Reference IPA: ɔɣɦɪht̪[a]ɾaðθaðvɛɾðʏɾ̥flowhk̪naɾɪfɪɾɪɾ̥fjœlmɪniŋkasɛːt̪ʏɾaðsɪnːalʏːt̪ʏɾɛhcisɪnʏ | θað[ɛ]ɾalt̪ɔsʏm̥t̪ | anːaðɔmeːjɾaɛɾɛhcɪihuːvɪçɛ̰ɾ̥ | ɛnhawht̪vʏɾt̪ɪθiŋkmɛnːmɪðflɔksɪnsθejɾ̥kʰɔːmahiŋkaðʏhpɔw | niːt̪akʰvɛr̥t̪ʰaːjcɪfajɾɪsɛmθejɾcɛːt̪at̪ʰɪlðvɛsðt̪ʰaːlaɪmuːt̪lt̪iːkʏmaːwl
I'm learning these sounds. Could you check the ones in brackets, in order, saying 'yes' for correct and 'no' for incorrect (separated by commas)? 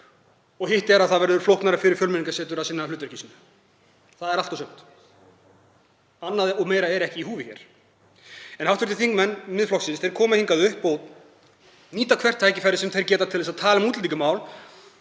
no, yes